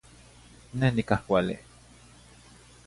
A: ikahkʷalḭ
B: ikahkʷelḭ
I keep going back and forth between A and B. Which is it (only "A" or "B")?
A